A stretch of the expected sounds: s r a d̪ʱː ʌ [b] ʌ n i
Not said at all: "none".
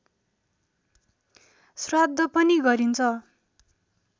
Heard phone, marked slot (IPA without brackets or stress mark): p